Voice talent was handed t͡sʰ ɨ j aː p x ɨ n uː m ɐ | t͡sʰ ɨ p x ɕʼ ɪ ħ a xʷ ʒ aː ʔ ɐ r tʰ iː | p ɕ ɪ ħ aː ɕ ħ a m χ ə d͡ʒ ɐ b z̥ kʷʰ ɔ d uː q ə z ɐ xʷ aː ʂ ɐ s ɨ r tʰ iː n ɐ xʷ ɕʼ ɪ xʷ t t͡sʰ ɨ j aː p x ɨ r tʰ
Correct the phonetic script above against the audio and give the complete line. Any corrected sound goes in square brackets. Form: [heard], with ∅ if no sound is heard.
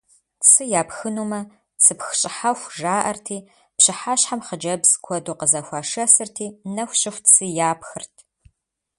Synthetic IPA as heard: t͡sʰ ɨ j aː p x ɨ n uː m ɐ | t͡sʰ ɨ p x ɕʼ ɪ ħ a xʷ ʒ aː ʔ ɐ r tʰ iː | p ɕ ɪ ħ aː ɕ ħ a m χ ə d͡ʒ ɐ b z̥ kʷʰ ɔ d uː q ə z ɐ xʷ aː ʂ ɐ s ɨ r tʰ iː n ɐ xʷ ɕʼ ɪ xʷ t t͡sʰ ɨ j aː p x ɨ r tʰ